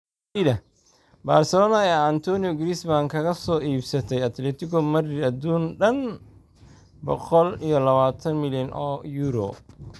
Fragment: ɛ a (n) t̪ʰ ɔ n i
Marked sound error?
no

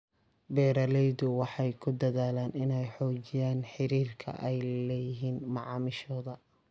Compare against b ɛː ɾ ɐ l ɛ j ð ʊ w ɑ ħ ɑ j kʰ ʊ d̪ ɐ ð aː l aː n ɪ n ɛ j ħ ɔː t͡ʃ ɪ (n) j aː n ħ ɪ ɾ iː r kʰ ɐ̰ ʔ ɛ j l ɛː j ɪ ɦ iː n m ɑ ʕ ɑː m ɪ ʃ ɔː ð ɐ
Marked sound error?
yes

